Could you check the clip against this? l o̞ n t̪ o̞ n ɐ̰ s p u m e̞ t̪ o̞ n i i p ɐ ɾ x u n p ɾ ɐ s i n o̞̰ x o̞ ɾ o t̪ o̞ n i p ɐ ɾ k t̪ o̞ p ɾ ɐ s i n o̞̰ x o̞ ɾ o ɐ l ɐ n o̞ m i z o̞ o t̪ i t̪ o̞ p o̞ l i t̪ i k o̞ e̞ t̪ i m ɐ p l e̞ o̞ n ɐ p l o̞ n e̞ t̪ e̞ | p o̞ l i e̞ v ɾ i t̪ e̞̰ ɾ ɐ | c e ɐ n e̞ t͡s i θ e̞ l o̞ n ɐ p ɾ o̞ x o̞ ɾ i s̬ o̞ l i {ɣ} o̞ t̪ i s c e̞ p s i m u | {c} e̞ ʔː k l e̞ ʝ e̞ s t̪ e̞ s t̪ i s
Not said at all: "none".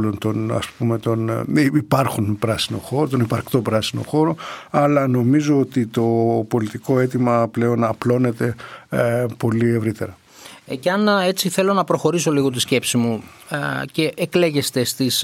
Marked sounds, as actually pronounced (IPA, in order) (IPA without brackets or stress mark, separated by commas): ɣ, c